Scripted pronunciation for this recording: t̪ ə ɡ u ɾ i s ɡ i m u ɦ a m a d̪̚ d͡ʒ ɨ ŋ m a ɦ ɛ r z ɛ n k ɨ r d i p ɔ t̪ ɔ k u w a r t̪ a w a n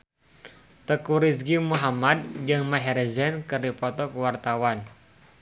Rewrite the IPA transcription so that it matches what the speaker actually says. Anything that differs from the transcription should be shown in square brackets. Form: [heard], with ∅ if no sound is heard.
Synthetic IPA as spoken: t̪ ə [k] u ɾ i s ɡ i m u ɦ a m a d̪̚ d͡ʒ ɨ ŋ m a ɦ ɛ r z ɛ n k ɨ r d i p ɔ t̪ ɔ k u w a r t̪ a w a n